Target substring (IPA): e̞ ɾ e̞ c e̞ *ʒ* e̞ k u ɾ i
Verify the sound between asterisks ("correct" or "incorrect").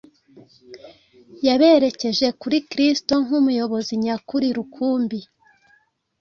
correct